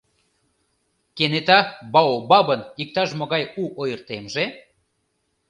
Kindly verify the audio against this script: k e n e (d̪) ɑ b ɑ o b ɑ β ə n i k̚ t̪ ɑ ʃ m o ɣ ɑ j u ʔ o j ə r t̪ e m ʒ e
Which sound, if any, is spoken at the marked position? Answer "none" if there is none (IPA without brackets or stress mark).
t̪